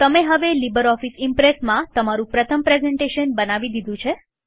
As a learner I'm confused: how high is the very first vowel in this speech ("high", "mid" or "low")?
mid